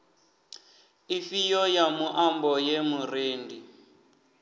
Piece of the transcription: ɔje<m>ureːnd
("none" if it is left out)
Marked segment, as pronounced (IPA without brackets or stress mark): m